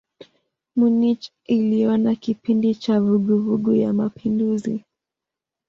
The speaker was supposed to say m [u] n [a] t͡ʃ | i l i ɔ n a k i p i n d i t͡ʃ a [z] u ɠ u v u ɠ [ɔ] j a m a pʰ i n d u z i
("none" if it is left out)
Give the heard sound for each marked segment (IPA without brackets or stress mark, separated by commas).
u, i, v, u